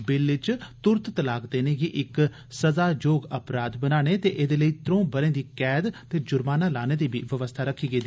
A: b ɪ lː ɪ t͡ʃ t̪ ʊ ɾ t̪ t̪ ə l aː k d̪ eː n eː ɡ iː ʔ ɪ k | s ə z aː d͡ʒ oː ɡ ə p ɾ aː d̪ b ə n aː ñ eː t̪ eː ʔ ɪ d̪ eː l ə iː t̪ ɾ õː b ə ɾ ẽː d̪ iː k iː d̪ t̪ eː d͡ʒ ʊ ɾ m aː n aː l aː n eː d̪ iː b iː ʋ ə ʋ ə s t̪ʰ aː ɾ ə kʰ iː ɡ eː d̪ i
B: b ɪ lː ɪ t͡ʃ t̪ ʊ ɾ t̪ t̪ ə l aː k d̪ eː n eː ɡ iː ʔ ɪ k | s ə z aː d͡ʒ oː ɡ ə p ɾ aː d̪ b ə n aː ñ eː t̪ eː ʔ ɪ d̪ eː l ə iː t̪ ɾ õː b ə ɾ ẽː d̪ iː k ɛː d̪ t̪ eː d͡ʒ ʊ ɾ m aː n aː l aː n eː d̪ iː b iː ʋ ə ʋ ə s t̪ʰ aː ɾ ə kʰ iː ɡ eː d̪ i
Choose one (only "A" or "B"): B